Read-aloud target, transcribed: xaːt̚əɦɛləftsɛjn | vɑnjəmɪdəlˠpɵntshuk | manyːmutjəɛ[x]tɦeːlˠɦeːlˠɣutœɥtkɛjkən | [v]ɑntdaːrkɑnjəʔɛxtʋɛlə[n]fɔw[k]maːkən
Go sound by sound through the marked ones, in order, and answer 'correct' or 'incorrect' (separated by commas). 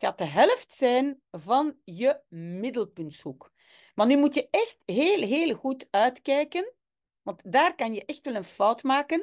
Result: correct, incorrect, correct, incorrect